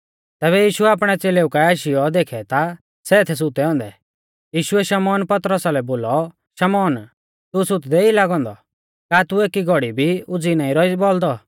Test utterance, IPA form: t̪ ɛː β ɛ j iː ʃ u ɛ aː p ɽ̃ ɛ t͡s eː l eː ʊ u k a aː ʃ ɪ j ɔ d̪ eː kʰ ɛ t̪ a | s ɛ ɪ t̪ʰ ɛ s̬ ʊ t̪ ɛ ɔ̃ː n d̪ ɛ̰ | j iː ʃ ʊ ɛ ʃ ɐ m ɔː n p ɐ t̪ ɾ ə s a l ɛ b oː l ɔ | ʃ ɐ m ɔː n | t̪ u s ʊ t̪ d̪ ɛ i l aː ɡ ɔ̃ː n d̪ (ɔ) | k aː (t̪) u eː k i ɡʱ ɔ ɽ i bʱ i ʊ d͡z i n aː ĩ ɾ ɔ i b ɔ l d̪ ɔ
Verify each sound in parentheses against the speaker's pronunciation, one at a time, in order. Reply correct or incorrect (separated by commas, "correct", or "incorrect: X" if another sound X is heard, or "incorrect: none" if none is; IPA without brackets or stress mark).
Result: correct, correct